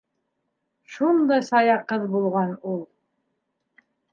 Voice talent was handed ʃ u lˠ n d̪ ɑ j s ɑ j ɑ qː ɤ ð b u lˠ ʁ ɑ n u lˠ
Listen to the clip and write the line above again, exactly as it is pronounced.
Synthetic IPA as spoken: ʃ u n d̪ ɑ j s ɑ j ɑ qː ɤ ð b u lˠ ʁ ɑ n u lˠ